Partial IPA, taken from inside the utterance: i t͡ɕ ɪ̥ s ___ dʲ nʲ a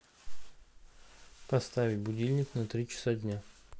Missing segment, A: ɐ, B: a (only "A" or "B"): B